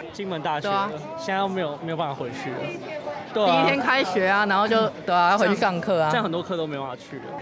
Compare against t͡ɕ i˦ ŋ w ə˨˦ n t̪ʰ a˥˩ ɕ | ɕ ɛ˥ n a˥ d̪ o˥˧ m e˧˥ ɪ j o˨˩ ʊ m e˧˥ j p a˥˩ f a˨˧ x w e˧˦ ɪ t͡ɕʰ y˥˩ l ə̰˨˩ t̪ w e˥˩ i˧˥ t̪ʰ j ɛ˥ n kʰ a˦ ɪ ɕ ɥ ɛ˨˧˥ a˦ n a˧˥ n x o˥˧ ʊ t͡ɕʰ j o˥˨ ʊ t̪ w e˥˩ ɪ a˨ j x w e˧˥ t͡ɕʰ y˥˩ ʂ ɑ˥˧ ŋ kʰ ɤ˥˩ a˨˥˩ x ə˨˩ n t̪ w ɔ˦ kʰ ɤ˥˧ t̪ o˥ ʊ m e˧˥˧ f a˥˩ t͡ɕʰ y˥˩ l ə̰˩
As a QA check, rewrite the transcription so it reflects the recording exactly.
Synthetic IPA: t͡ɕ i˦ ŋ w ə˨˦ n t̪ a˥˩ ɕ | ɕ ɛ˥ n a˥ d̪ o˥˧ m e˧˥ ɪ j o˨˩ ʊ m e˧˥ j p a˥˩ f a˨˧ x w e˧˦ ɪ t͡ɕʰ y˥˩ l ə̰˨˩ t̪ w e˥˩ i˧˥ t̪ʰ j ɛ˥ n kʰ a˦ ɪ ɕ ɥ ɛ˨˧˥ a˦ n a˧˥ n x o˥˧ ʊ t͡ɕ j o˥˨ ʊ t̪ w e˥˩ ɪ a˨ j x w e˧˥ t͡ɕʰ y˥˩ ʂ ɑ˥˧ ŋ kʰ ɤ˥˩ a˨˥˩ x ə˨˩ n t̪ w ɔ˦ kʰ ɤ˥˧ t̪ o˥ ʊ m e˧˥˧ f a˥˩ t͡ɕʰ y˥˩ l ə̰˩